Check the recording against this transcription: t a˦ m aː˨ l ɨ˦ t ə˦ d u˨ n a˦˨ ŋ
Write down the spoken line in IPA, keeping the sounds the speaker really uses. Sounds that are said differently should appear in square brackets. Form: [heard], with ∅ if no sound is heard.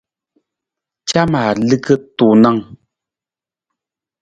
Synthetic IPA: [t͡ʃ] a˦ m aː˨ l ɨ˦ [k] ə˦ [t] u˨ n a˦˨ ŋ